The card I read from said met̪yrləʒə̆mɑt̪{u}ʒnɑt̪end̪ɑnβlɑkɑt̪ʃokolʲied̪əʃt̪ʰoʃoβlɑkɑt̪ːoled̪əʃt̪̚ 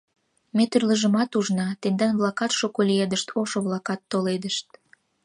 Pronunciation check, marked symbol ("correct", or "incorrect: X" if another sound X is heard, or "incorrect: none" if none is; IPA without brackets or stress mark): correct